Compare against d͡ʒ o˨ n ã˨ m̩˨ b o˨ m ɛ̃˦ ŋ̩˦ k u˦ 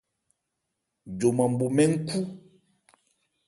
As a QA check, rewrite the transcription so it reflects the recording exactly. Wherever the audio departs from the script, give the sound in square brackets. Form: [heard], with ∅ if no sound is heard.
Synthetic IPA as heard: d͡ʒ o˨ [m] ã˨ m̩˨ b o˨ m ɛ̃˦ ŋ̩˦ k u˦

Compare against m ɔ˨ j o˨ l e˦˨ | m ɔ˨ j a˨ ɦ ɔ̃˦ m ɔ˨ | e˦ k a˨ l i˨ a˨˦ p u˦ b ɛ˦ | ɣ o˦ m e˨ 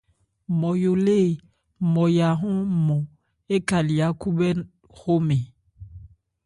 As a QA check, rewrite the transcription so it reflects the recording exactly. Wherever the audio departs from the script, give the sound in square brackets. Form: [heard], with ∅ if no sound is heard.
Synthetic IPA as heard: m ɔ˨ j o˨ l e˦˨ | m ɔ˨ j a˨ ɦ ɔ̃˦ m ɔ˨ | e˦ k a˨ l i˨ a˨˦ [k] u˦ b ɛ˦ | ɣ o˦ m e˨

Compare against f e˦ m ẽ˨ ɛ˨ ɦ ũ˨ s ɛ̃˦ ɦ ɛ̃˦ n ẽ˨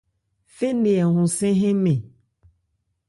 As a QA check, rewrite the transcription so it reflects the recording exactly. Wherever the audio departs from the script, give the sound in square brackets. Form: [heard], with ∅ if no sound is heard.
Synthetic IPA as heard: f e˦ [n] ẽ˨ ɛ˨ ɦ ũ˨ s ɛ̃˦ ɦ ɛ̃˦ [m] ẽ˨

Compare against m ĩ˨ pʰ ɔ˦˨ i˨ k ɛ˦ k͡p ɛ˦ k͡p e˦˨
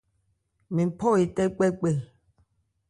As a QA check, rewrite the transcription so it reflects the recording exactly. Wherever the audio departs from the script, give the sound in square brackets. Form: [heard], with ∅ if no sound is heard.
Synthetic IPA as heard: m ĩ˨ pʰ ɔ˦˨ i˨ [t] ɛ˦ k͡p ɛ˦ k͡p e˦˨

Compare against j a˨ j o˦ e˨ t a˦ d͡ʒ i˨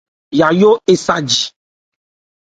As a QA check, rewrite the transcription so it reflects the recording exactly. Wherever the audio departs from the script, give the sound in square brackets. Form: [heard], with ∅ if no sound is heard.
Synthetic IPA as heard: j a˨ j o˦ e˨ [s] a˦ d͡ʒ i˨

